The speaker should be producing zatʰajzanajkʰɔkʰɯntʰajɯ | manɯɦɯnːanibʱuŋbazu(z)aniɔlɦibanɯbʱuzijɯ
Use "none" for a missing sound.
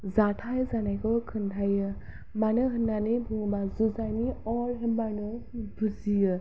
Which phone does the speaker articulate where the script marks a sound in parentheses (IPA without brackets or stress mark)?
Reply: z